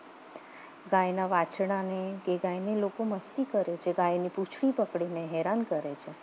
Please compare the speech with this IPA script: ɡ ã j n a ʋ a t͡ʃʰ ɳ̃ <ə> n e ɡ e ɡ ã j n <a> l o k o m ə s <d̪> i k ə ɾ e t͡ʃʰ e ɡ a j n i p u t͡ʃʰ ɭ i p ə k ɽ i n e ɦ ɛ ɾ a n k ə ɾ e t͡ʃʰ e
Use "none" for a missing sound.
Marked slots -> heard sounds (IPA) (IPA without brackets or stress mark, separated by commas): a, e, t̪